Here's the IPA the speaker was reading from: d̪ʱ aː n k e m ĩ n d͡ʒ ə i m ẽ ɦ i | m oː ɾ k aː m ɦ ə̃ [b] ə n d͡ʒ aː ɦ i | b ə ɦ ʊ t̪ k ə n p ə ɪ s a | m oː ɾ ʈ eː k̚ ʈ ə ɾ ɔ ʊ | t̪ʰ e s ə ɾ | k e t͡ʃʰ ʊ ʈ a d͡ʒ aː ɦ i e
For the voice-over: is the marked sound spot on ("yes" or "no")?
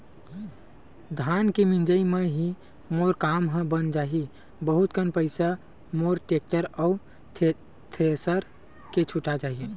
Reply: yes